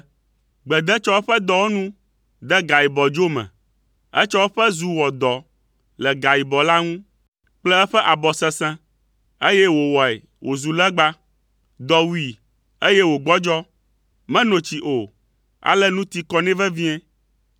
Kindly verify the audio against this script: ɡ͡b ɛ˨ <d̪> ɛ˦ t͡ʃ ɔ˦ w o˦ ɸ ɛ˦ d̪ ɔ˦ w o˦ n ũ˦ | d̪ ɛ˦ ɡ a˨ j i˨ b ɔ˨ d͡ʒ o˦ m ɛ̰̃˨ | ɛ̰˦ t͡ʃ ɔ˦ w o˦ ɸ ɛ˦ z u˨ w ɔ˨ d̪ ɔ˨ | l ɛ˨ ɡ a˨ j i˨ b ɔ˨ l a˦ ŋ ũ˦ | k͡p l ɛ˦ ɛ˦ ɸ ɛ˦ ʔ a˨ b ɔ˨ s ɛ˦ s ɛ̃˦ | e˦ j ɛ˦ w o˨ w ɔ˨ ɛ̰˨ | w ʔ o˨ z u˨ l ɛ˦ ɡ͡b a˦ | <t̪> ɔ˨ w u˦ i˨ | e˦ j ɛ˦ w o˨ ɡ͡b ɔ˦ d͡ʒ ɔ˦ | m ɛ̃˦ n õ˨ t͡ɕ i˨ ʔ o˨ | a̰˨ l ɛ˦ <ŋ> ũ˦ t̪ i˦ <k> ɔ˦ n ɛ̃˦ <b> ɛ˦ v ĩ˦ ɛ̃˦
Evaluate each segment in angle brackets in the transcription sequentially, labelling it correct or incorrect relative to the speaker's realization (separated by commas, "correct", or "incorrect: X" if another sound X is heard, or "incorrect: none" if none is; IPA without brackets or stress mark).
correct, incorrect: d̪, incorrect: n, correct, incorrect: v